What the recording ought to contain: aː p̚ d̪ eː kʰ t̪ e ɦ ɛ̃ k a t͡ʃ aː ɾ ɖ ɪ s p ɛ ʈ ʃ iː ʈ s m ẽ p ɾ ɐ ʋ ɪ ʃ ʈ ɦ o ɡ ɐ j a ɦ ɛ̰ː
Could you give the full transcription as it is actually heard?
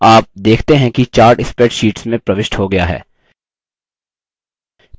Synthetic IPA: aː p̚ d̪ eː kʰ t̪ e ɦ ɛ̃ k i t͡ʃ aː ɾ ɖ ɪ s p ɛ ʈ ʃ iː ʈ s m ẽ p ɾ ɐ ʋ ɪ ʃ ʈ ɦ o ɡ ɐ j a ɦ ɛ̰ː